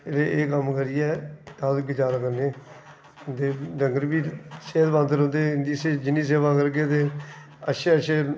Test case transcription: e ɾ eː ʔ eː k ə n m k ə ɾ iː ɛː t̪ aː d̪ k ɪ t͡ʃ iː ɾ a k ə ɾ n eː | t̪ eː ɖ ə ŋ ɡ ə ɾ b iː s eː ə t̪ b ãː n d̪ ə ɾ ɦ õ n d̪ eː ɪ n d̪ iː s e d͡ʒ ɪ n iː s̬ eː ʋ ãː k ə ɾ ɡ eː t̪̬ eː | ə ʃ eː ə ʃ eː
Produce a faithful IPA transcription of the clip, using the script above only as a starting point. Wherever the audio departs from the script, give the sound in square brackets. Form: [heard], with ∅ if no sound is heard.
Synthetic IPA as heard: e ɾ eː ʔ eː k ə [∅] m k ə ɾ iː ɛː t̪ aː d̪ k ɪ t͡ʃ [aː] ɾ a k ə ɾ n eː | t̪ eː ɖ ə ŋ ɡ ə ɾ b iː s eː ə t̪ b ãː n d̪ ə ɾ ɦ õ n d̪ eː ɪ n d̪ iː s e d͡ʒ ɪ n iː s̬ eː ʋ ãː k ə ɾ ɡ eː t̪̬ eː | ə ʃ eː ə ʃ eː

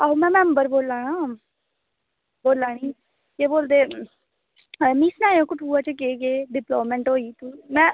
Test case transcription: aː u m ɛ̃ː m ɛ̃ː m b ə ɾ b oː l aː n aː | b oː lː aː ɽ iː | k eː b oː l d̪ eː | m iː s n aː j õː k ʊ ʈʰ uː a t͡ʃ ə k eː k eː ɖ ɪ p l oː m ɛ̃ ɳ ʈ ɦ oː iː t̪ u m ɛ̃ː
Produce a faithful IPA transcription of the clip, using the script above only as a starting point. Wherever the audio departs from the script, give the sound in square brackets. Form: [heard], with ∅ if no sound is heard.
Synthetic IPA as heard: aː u m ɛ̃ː m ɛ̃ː m b ə ɾ b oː l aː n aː | b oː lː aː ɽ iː | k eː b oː l d̪ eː | m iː s n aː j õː k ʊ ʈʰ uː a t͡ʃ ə k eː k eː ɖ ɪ p l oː m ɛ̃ ɳ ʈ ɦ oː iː t̪ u m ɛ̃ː

